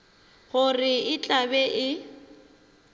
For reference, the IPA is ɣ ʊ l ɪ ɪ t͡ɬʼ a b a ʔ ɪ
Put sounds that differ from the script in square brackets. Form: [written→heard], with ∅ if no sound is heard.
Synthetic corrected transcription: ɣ ʊ [l→r] ɪ ɪ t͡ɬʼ a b [a→ɛ] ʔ ɪ